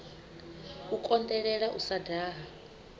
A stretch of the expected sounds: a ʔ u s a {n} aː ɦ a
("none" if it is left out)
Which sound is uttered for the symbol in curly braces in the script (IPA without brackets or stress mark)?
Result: d